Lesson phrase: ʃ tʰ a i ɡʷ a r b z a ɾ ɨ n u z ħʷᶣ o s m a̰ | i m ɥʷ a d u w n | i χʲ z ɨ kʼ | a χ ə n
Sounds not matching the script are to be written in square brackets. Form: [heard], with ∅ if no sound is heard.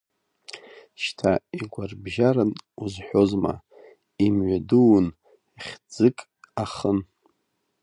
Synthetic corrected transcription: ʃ tʰ a i ɡʷ a r b [ʒ] a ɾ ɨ n u z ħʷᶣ o [z] m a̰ | i m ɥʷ a d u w n | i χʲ [d͡z] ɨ kʼ | a χ ə n

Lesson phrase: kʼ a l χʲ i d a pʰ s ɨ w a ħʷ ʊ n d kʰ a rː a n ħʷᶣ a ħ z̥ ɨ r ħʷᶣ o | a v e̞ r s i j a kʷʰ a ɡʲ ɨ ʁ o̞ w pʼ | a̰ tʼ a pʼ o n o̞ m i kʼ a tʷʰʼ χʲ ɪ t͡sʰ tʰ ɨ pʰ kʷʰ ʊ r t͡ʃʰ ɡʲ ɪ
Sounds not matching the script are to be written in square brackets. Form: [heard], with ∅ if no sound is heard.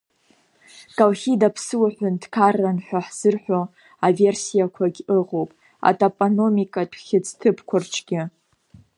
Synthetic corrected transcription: kʼ a l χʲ i d a pʰ s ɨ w a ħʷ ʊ n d kʰ a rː a n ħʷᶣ a ħ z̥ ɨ r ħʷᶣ o | a v e̞ r s i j a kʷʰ a ɡʲ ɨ ʁ o̞ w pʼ | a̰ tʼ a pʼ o n o̞ m i kʼ a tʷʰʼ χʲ ɪ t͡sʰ tʰ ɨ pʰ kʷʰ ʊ r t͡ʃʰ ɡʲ ɪ

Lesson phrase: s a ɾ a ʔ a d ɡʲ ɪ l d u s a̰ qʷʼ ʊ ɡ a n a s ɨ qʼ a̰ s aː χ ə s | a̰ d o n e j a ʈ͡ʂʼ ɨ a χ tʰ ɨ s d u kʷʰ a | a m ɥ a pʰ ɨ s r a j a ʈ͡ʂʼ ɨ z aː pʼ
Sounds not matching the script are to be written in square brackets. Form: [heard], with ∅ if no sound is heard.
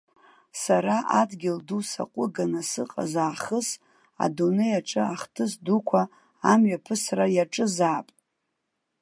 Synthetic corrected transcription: s a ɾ a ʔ a d ɡʲ ɪ l d u s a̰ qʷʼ ʊ ɡ a n a s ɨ qʼ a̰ [z] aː χ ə s | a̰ d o n e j a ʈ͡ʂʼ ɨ a χ tʰ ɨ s d u kʷʰ a | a m ɥ a pʰ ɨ s r a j a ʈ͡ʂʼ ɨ z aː pʼ

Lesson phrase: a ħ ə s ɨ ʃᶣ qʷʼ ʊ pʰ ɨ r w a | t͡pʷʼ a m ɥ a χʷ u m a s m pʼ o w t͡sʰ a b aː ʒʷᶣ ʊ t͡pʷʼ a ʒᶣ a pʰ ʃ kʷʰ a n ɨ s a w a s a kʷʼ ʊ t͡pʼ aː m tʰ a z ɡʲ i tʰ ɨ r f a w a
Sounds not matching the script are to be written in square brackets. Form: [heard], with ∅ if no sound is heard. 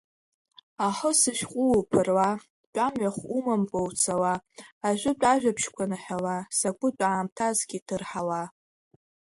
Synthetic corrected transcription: a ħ ə s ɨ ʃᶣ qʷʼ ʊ pʰ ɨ r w a | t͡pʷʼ a m ɥ a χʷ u m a [∅] m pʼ o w t͡sʰ a [w] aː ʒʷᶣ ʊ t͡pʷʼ a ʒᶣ a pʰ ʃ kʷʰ a n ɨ [ħ] a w a s a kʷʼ ʊ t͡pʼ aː m tʰ a z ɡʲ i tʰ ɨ r [ħ] a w a

